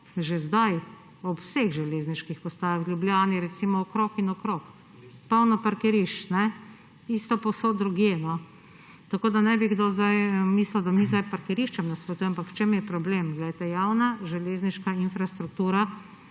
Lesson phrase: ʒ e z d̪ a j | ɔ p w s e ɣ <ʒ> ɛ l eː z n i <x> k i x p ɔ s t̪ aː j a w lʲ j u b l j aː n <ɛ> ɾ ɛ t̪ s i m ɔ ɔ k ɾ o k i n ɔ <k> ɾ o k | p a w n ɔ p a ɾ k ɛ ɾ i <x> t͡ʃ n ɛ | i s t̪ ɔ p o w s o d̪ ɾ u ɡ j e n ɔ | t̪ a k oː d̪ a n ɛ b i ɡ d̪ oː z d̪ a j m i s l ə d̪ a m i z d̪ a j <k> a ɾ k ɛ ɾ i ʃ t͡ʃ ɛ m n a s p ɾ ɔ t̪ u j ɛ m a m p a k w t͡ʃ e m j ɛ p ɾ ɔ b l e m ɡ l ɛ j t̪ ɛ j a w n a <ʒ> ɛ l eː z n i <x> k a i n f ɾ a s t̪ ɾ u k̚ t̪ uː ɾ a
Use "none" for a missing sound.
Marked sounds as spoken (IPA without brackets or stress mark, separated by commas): ʒ, ʃ, i, k, ʃ, p, ʒ, ʃ